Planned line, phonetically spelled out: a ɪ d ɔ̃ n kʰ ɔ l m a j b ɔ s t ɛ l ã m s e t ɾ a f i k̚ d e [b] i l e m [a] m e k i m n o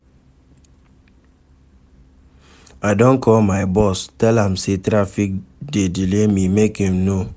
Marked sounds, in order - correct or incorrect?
incorrect: d, incorrect: i

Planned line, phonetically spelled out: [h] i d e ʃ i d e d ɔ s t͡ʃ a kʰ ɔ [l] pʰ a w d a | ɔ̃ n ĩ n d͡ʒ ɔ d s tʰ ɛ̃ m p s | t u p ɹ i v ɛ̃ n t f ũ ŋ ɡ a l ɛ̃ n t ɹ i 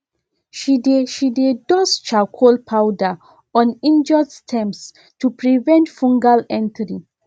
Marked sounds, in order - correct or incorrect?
incorrect: ʃ, correct

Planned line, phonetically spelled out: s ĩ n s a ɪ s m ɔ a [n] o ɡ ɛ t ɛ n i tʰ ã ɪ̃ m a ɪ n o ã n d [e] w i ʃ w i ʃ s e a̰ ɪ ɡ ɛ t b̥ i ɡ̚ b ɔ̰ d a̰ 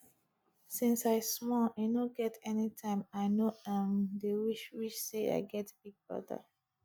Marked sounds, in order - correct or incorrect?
correct, correct

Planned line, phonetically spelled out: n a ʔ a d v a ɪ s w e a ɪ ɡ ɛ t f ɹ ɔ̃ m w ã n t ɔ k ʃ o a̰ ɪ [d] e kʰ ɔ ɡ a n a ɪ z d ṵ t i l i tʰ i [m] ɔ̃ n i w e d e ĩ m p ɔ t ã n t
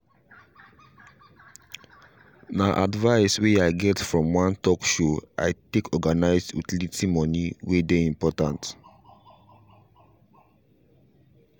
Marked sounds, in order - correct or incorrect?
incorrect: t, correct

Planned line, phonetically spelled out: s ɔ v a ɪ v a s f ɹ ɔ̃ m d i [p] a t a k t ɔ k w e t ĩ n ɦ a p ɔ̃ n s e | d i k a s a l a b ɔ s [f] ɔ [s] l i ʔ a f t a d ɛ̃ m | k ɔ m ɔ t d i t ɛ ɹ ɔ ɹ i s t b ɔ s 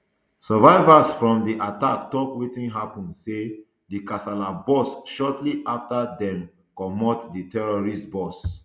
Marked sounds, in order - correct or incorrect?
incorrect: ʔ, incorrect: ʃ, incorrect: t

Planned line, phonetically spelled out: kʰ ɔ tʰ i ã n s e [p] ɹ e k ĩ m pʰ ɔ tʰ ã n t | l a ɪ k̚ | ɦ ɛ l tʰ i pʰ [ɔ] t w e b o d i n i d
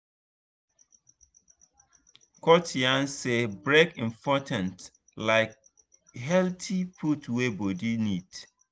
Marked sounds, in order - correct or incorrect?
incorrect: b, incorrect: u

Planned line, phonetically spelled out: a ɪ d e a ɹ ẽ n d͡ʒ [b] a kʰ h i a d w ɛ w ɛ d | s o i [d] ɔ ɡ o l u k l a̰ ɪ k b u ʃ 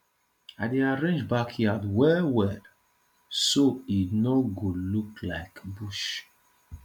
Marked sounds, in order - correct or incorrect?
correct, incorrect: n

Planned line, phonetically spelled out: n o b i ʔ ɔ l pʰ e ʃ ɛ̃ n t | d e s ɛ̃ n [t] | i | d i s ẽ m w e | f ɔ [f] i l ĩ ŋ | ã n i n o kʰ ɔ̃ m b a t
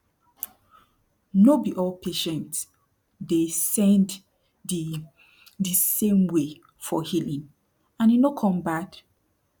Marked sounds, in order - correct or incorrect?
incorrect: d, incorrect: h

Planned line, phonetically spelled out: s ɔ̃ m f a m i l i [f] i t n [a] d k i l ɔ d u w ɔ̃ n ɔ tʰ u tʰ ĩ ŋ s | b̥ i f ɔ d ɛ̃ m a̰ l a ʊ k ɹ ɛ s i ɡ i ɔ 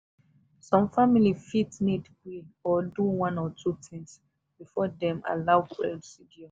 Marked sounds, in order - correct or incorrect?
correct, incorrect: i

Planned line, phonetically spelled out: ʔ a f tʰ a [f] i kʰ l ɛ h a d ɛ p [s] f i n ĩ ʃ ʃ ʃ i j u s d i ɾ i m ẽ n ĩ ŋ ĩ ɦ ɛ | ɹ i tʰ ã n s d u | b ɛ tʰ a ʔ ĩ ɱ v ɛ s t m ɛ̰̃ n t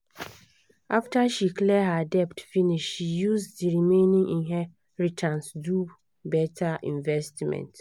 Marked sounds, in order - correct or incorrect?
incorrect: ʃ, incorrect: t

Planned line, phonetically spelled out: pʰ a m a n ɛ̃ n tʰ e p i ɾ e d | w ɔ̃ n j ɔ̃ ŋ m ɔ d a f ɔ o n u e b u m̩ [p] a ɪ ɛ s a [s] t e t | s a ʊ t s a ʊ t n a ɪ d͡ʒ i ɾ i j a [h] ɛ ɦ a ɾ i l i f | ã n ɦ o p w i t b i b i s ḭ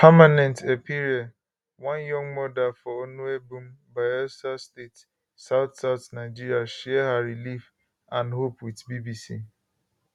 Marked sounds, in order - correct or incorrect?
incorrect: b, correct, incorrect: ʃ

